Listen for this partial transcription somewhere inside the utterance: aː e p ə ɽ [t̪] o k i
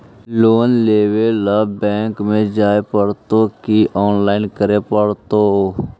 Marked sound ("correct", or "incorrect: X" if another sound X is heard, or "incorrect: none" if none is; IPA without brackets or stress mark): correct